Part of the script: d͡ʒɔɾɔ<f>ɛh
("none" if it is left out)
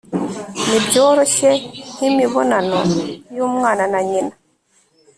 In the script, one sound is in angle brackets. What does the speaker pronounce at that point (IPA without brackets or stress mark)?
ʃ